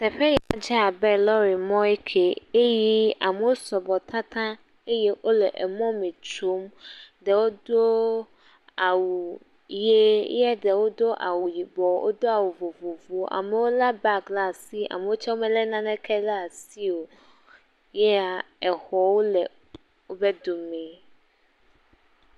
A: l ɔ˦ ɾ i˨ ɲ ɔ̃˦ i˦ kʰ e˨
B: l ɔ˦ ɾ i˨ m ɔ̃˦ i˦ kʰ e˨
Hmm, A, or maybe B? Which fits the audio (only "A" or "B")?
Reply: B